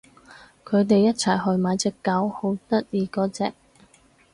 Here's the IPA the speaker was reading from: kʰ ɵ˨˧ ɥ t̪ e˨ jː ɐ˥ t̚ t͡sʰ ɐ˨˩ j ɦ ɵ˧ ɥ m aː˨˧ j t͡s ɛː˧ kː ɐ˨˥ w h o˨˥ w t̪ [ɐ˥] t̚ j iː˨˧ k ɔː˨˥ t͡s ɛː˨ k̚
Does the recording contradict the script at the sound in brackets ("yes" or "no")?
no